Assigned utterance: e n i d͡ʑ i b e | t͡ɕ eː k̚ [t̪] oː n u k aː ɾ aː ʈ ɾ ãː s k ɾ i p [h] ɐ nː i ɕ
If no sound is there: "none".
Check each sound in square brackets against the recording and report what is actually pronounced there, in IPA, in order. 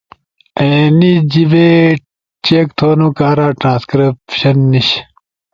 t̪ʰ, ɕ

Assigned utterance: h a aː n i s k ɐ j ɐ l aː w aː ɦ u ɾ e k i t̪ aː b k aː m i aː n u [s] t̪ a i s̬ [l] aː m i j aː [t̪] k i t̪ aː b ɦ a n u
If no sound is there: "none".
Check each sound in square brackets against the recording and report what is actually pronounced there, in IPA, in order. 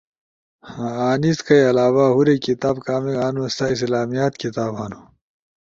s, l, t̪

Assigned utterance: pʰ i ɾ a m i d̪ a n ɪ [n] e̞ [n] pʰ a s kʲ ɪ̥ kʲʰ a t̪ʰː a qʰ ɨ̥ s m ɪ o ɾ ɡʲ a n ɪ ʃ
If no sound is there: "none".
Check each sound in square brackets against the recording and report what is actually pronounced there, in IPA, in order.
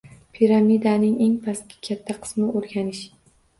ŋ, ŋ

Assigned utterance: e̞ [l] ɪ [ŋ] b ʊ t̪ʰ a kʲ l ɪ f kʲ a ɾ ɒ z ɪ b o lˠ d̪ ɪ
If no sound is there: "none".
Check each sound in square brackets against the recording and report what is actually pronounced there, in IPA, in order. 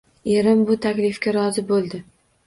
ɾ, m

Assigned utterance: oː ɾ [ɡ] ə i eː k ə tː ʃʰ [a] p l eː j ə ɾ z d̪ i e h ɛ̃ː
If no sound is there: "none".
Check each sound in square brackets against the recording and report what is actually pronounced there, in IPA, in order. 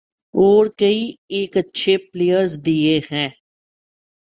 k, e

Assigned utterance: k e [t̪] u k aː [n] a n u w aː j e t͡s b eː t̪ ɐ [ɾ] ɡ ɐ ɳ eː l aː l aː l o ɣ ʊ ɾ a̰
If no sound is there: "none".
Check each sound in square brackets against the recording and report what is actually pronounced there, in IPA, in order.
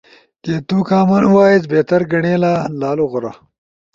t̪, m, ɾ

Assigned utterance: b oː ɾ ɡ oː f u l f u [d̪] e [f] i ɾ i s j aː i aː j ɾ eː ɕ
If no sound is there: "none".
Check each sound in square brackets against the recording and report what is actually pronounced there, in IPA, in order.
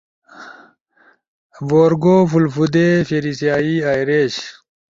d̪, f

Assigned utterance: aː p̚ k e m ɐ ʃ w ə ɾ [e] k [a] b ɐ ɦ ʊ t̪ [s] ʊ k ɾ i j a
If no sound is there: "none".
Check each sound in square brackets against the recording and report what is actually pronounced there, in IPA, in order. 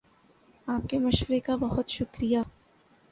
e, a, ʃ

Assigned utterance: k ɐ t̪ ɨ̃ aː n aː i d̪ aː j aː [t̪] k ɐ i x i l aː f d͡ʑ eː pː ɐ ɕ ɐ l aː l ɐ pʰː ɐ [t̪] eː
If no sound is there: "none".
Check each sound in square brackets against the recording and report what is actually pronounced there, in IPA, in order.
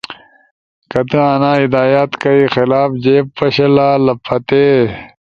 t̪, t̪

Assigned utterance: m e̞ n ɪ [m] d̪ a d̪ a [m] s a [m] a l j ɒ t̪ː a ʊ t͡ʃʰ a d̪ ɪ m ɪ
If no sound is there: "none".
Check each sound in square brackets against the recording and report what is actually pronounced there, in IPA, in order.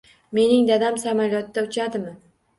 ŋ, m, m

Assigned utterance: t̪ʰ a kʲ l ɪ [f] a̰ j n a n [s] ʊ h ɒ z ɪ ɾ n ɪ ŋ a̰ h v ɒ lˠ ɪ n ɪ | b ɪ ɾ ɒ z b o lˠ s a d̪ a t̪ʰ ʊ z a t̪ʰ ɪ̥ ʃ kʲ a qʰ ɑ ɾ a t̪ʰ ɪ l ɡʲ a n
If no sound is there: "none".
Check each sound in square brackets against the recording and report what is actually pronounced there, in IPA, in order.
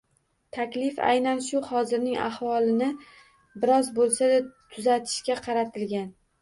f, ʃ

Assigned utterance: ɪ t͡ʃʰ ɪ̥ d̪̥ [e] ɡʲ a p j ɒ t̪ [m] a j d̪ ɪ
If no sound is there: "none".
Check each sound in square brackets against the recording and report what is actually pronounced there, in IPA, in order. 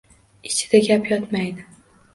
a, m

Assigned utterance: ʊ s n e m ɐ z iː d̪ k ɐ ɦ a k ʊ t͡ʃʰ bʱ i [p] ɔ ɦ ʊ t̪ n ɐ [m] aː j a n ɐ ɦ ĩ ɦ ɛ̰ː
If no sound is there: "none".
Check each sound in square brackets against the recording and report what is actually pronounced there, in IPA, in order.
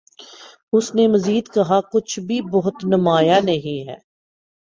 b, m

